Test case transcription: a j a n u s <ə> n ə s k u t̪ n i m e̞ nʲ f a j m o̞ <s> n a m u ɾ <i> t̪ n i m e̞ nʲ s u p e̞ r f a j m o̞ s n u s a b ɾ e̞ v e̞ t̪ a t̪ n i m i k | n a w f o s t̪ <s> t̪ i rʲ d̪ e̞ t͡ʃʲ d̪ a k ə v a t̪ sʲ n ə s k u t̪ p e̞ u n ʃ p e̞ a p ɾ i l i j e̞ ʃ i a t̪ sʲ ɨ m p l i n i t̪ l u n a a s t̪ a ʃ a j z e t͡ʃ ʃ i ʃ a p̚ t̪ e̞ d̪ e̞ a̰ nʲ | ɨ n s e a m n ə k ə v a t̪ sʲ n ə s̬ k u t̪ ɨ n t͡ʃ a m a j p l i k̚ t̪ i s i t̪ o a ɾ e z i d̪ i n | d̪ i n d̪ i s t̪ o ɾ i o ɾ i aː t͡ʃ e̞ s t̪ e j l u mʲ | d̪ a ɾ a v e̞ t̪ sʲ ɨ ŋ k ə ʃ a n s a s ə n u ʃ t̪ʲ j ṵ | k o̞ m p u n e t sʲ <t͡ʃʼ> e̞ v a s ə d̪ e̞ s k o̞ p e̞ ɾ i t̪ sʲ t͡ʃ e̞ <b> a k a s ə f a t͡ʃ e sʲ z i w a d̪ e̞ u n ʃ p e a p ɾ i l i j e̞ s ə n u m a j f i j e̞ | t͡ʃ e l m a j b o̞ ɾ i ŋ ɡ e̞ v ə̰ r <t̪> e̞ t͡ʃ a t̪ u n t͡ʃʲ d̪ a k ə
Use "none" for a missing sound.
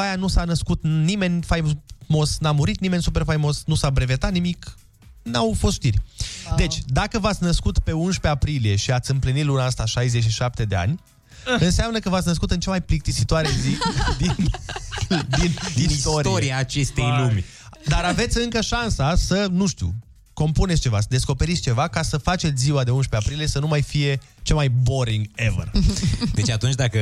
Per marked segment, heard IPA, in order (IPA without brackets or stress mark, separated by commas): a, s, i, ʃ, t͡ʃ, v, d̪